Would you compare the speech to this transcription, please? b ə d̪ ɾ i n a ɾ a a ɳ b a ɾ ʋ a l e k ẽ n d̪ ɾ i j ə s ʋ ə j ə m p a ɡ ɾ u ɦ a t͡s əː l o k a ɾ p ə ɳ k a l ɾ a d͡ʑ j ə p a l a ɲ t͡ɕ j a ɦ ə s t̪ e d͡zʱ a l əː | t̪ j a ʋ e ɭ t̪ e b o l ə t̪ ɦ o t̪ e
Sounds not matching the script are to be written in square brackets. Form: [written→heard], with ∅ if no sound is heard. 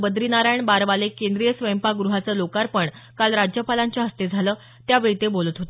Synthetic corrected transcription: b ə d̪ ɾ i n a ɾ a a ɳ b a ɾ ʋ a l e k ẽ n d̪ ɾ i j ə s ʋ ə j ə m p a ɡ ɾ u ɦ a t͡s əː l o k a ɾ p ə ɳ k a l ɾ a d͡ʑ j ə p a l a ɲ t͡ɕ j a ɦ ə s t̪ e d͡zʱ a l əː | t̪ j a ʋ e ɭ t̪ e b o l ə t̪ ɦ o t̪ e